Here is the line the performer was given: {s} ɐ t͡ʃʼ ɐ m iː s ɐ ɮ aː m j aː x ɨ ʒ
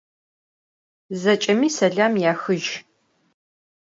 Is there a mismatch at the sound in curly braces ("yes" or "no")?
yes